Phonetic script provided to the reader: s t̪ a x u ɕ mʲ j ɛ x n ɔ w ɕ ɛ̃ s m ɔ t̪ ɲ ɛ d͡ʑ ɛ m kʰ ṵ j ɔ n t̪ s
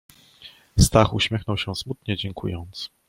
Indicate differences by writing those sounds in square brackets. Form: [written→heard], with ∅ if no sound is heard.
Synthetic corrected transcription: s t̪ a x u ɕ mʲ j ɛ x n ɔ w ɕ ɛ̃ s m [ɔ→u] t̪ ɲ ɛ d͡ʑ ɛ [m→ŋ] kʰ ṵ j ɔ n t̪ s